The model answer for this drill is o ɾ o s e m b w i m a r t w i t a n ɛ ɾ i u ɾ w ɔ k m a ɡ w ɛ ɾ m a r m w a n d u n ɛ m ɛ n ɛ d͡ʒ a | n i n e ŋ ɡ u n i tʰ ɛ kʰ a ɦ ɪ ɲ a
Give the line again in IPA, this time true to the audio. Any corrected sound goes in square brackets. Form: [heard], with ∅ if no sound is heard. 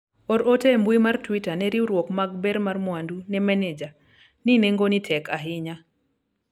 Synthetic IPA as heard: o ɾ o [t] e m b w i m a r t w i t a n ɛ ɾ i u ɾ w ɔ k m a ɡ [b] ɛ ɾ m a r m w a n d u n ɛ m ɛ n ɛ d͡ʒ a | n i n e ŋ ɡ [o] n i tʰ ɛ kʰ a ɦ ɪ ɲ a

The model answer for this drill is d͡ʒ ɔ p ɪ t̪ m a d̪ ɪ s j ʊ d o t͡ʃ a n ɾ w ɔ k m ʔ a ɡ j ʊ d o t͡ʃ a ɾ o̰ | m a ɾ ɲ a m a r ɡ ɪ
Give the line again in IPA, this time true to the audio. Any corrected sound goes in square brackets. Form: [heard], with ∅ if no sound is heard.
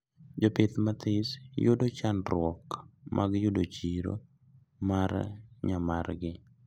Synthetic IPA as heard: d͡ʒ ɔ p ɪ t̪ m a [t̪] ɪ s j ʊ d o t͡ʃ a n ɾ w ɔ k m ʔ a ɡ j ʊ d o t͡ʃ [i] ɾ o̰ | m a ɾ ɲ a m a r ɡ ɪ

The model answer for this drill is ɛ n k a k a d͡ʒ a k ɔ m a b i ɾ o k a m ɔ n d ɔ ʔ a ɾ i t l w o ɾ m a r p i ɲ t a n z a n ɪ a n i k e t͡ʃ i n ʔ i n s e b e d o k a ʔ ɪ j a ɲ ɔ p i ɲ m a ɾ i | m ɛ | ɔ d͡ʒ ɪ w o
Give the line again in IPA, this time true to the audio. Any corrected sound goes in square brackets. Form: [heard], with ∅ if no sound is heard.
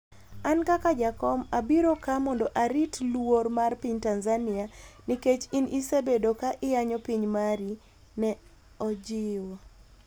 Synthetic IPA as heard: [a] n k a k a d͡ʒ a k ɔ m a b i ɾ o k a m ɔ n d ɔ ʔ a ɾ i t l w o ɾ m a r p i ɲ t a n z a n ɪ a n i k e t͡ʃ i n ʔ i [∅] s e b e d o k a ʔ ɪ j a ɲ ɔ p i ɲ m a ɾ i | [n] ɛ | ɔ d͡ʒ ɪ w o

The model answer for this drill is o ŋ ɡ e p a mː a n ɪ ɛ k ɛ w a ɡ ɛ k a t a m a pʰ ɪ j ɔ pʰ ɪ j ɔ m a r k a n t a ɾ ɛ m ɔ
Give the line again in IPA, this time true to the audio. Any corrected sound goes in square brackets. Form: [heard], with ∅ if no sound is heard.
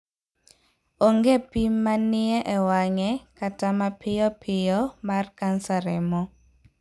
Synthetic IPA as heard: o ŋ ɡ e p [i] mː a n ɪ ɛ [ʔ] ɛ w a [ŋ] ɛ k a t a m a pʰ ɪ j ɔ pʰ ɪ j ɔ m a r k a n [s] a ɾ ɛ m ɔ

